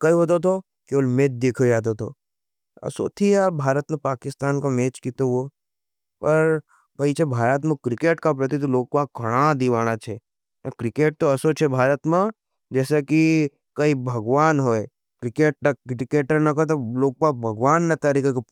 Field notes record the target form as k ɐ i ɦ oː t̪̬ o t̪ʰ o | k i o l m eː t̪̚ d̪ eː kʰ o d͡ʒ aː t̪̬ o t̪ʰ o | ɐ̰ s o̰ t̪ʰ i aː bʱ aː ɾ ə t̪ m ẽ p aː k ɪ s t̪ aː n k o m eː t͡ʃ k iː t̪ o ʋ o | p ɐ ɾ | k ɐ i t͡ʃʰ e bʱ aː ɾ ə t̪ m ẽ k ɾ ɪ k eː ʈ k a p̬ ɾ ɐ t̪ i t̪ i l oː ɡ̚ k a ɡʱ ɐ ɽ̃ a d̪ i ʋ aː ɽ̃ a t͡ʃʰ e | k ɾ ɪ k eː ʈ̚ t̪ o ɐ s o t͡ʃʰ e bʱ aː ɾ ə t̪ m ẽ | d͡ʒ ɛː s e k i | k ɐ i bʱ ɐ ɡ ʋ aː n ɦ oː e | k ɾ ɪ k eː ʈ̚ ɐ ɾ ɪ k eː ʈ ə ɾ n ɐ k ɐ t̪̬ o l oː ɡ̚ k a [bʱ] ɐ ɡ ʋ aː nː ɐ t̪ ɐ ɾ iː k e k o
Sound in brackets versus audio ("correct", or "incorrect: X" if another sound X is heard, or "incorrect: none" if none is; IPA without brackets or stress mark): correct